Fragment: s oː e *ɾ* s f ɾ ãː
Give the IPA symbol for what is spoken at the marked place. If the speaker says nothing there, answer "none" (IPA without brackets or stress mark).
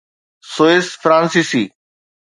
none